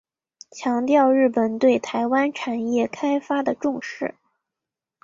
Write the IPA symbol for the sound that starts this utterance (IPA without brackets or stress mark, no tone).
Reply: t͡ɕʰ